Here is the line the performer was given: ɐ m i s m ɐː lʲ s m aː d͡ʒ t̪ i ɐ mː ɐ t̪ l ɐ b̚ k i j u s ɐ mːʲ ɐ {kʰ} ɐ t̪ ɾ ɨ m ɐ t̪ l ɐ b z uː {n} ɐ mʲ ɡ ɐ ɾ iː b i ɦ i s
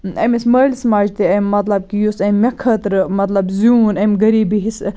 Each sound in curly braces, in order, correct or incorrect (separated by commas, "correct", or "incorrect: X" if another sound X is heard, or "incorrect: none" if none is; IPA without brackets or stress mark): correct, correct